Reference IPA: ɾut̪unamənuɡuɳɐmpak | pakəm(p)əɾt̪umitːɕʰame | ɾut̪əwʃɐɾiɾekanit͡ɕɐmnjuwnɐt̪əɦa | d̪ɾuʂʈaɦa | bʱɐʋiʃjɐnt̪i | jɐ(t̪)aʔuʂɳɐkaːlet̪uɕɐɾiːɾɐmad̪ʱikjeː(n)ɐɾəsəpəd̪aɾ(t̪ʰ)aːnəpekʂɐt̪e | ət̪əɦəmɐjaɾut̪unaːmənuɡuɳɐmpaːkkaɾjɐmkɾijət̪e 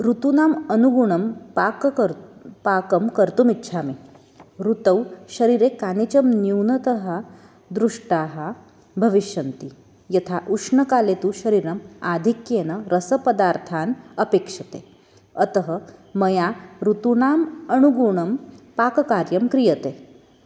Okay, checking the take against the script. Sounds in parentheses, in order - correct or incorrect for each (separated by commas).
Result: incorrect, incorrect, correct, correct